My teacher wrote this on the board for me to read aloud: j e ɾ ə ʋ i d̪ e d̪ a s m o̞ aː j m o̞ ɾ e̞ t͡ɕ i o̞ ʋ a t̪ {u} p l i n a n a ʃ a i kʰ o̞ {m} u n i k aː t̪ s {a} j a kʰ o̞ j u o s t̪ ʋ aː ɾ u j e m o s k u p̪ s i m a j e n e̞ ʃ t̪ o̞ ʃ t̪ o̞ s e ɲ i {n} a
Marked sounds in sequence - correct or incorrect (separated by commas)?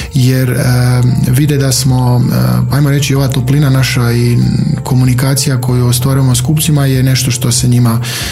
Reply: incorrect, correct, incorrect, incorrect